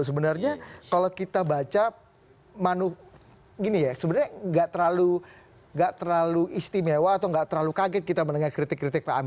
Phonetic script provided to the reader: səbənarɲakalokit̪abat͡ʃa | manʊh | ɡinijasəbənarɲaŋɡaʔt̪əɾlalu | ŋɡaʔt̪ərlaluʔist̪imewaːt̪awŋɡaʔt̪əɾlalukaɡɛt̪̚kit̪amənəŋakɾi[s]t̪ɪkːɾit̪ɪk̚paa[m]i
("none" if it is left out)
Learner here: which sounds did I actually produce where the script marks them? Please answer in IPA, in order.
none, m

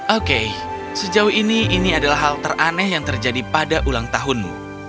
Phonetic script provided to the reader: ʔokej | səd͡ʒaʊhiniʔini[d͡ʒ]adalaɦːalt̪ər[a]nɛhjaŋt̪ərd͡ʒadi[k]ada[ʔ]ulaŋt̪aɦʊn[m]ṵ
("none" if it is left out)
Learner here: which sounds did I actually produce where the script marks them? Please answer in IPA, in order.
none, a, p, ʔ, m

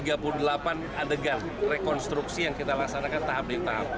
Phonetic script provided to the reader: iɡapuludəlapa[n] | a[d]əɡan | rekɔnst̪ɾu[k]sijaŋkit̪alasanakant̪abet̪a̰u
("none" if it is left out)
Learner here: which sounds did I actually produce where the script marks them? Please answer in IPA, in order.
n, d, k

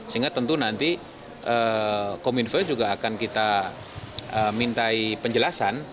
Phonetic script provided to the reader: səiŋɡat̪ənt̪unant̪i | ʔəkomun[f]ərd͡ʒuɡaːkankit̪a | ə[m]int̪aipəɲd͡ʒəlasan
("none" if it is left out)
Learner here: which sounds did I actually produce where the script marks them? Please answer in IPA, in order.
f, m

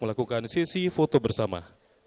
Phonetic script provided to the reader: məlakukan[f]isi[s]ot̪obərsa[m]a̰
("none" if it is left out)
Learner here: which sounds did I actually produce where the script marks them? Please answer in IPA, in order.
s, f, m

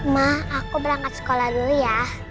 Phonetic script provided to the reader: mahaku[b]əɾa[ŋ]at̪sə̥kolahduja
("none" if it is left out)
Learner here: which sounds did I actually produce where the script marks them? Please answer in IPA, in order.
b, ŋ

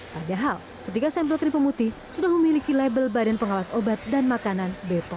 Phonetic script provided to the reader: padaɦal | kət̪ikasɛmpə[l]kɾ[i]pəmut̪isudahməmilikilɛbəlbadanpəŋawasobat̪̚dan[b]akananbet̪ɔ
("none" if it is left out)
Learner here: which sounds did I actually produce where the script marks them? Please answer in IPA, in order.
l, i, m

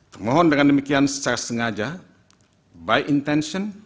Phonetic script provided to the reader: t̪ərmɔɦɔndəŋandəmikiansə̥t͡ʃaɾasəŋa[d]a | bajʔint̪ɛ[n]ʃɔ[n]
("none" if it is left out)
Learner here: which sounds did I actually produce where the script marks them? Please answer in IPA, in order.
d͡ʒ, n, n

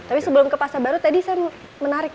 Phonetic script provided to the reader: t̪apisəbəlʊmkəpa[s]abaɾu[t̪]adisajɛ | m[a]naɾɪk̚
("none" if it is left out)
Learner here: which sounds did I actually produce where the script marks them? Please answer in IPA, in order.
s, t̪, ə

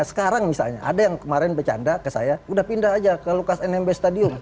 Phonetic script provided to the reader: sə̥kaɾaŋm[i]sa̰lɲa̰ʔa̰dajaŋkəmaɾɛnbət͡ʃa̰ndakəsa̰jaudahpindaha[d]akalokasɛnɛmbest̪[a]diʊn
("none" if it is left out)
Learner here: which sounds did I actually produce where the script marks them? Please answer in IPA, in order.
i, d͡ʒ, a

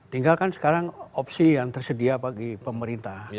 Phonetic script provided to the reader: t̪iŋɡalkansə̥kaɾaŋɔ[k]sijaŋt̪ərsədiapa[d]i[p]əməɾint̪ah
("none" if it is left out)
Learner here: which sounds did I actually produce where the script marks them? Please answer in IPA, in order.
p, ɡ, p

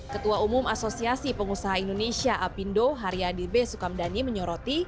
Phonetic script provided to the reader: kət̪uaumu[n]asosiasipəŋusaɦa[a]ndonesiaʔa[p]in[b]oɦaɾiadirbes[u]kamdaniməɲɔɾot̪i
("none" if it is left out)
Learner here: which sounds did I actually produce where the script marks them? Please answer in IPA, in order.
m, i, p, d, u

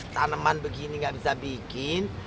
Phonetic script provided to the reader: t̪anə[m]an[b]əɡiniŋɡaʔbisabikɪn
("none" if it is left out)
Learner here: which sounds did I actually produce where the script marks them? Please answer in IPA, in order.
m, b

